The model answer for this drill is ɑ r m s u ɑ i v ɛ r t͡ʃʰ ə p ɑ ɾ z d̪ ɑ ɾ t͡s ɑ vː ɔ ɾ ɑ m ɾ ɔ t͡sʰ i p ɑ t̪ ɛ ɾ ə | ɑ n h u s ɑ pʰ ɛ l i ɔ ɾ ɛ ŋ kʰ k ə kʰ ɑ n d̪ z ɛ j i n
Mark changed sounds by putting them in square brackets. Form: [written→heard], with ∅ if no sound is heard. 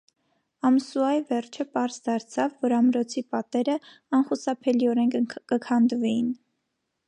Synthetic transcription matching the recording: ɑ [r→∅] m s u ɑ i v ɛ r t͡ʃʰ ə p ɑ ɾ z d̪ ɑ ɾ [t͡s→t͡sʰ] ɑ vː ɔ ɾ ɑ m ɾ ɔ t͡sʰ i p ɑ t̪ ɛ ɾ ə | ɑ n [h→χ] u s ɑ pʰ ɛ l i ɔ ɾ ɛ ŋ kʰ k ə kʰ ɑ n d̪ [z→v] ɛ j i n